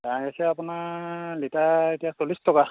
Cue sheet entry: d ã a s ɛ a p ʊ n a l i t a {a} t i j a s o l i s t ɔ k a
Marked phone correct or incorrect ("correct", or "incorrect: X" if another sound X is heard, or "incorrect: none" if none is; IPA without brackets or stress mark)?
incorrect: e